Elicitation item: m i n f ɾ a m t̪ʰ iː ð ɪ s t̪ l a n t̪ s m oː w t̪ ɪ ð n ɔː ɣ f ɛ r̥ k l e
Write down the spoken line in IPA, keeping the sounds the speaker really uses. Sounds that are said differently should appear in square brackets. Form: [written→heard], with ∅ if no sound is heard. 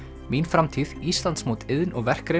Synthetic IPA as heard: m i n f ɾ a m t̪ʰ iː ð [ɪ→i] s t̪ l a n t̪ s m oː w t̪ ɪ ð n [ɔː→ɔ] ɣ [f→v] ɛ r̥ k [l→ɾ] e